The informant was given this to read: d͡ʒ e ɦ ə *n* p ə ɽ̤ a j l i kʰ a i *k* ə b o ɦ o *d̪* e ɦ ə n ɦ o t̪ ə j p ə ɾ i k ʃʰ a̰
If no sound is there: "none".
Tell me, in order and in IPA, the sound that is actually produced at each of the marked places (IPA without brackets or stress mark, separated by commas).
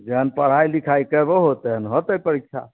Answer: n, k, t̪